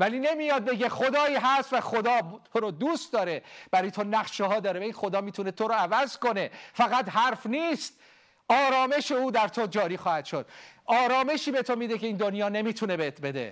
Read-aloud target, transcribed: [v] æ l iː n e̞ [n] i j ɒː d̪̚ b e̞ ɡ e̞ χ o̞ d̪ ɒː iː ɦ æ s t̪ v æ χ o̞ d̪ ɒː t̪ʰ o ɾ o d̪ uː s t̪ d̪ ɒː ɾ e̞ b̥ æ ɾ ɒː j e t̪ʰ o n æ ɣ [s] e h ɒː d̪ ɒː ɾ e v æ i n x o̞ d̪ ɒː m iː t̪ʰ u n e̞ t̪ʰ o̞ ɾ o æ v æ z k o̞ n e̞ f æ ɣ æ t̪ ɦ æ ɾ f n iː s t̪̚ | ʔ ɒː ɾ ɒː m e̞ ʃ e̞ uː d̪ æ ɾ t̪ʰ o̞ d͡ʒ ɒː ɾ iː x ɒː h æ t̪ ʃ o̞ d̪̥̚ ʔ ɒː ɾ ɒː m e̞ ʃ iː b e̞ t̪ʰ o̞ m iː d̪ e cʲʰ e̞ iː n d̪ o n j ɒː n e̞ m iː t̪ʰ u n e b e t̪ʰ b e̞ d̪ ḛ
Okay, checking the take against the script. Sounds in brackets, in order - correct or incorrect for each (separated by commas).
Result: correct, incorrect, incorrect